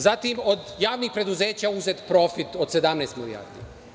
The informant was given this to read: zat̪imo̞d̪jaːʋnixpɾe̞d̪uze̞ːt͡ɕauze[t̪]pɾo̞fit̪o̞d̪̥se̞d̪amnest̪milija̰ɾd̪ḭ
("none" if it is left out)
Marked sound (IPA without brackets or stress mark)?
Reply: t̪